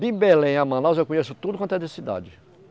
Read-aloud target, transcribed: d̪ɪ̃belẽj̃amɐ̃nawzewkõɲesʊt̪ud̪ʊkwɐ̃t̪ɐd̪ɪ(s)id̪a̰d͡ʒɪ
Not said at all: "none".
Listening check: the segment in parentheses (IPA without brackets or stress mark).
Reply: s